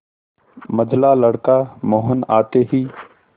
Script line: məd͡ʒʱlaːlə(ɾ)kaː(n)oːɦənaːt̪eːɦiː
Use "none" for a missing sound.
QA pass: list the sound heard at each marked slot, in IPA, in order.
ɽ, m

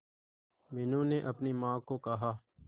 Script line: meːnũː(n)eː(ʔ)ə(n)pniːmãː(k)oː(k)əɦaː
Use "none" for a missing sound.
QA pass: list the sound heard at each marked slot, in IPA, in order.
n, ʔ, none, k, k

